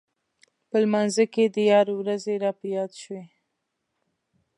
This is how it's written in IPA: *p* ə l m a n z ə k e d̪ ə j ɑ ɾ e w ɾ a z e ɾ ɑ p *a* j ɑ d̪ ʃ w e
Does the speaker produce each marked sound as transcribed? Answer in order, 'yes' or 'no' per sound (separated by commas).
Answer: yes, no